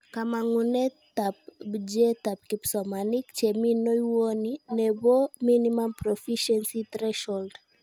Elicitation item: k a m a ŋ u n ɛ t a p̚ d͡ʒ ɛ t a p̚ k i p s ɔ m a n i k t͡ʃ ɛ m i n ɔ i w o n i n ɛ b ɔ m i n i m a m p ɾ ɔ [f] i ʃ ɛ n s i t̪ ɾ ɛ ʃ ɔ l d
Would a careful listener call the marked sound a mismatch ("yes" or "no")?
no